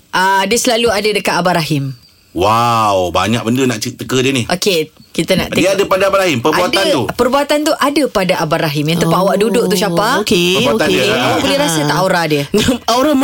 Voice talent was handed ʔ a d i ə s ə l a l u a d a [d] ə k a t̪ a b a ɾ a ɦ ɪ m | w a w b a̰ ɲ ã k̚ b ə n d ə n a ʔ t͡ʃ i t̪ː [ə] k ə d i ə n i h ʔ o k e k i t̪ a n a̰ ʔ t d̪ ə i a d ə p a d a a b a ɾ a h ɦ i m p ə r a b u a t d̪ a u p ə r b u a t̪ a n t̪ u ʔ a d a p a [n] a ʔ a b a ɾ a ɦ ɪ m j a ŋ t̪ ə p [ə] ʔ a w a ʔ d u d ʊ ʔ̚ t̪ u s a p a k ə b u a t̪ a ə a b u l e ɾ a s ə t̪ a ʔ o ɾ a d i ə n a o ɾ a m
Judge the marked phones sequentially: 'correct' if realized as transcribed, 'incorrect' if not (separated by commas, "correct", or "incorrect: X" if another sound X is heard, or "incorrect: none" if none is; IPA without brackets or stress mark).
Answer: correct, correct, incorrect: d, incorrect: a